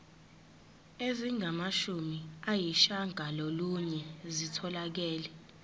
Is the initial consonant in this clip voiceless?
no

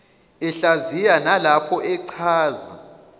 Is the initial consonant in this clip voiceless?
yes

